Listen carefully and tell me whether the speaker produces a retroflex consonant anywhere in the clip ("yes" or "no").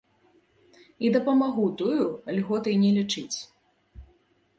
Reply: yes